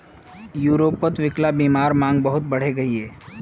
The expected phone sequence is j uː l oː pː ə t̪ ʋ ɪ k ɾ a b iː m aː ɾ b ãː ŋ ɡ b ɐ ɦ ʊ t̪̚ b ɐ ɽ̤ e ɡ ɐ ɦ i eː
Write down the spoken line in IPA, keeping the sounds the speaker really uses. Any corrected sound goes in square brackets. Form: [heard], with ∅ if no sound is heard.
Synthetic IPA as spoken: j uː [ɾ] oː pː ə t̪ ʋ ɪ k [l] a b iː m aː ɾ [m] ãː ŋ ɡ b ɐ ɦ ʊ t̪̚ b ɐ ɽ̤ e ɡ ɐ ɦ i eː